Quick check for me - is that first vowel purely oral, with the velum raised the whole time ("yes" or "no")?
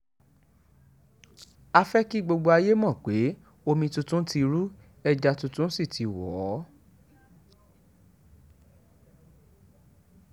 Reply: yes